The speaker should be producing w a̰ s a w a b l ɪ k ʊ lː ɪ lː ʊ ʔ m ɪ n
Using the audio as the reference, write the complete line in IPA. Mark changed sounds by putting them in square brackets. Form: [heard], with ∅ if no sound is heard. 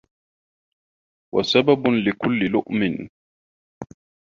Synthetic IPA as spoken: w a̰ s a [b] a b l ɪ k ʊ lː ɪ [l] ʊ ʔ m ɪ n